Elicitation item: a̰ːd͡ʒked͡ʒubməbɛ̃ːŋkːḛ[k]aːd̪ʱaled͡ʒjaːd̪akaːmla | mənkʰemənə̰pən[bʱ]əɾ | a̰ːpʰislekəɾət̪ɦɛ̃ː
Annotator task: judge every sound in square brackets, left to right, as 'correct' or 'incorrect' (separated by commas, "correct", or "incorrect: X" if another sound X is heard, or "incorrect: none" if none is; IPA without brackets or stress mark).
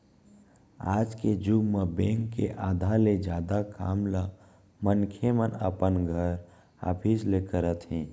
incorrect: ʔ, incorrect: ɡʱ